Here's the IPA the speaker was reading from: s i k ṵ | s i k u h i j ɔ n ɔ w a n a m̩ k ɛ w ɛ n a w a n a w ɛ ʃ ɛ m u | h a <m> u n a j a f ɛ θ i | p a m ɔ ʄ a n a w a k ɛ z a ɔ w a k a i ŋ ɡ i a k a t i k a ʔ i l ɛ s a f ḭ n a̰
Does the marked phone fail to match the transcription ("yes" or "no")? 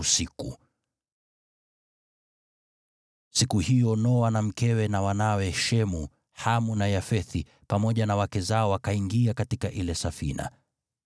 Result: no